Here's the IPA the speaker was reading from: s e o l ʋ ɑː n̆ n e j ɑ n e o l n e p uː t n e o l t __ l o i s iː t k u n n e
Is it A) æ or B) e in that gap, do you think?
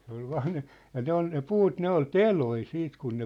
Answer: B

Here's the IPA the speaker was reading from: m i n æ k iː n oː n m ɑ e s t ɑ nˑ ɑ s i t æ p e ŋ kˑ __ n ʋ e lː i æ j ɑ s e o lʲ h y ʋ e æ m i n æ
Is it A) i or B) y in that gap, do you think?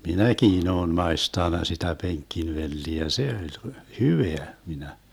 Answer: A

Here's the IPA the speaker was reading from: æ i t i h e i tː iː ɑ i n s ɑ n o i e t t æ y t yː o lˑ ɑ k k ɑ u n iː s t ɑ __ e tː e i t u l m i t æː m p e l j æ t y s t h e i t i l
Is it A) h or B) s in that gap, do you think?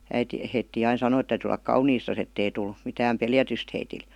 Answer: B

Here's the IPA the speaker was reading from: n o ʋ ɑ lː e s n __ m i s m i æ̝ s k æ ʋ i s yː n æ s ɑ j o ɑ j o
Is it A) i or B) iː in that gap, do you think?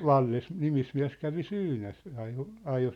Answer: A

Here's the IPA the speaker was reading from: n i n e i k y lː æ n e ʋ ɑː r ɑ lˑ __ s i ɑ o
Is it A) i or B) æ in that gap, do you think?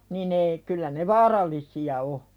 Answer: A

